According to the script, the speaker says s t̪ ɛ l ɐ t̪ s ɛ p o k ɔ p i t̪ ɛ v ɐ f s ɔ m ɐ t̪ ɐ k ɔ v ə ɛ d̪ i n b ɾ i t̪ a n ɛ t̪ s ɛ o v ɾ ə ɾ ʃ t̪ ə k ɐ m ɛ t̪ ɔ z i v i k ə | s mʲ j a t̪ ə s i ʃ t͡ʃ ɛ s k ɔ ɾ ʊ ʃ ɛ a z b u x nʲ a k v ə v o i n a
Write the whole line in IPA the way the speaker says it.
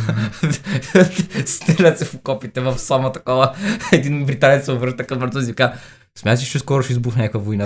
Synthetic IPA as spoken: s t̪ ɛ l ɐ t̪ s ɛ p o k ɔ p i t̪ ɛ v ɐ f s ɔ m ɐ t̪ ɐ k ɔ v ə ɛ d̪ i n b ɾ i t̪ a n ɛ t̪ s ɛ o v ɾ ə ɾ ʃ t̪ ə k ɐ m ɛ t̪ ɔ z i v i k a | s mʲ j a t̪ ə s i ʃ t͡ʃ ɛ s k ɔ ɾ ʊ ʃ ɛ i z b u x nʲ a k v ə v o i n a